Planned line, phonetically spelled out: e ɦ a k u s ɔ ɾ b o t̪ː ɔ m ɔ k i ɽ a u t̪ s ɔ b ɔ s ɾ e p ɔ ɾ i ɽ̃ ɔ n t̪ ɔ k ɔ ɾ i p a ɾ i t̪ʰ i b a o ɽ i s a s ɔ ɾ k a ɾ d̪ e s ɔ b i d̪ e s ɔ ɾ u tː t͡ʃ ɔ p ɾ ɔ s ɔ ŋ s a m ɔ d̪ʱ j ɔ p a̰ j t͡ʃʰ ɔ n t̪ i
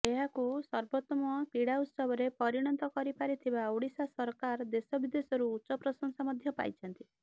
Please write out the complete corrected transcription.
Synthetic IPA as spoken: e ɦ a k u s ɔ ɾ b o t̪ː ɔ m ɔ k i ɽ a u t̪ s ɔ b ɔ ɾ e p ɔ ɾ i ɽ̃ ɔ n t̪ ɔ k ɔ ɾ i p a ɾ i t̪ʰ i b a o ɽ i s a s ɔ ɾ k a ɾ d̪ e s ɔ b i d̪ e s ɔ ɾ uː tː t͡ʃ ɔ p ɾ ɔ s ɔ ŋ s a m ɔ d̪ʱ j ɔ p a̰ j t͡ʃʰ ɔ n t̪ i